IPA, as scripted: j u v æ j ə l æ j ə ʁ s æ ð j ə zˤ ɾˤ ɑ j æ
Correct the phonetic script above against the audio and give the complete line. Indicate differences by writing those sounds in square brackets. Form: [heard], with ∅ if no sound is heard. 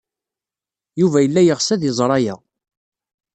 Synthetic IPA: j u v æ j ə [lː] æ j ə ʁ s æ ð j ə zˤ ɾˤ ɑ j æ